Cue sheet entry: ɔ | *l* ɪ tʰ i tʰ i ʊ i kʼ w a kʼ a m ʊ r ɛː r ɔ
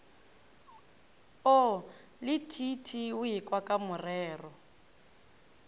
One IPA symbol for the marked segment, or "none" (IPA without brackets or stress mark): l